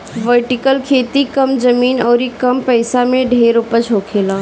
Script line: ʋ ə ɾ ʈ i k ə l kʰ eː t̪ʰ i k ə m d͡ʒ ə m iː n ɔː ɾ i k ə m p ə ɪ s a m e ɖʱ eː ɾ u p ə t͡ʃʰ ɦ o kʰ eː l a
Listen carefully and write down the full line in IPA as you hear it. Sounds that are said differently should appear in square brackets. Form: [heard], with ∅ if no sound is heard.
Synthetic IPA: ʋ ə ɾ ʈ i k ə l kʰ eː [t̪] i k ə m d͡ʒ ə m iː n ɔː ɾ i k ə m p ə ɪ s a m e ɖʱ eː ɾ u p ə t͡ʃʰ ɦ o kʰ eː l a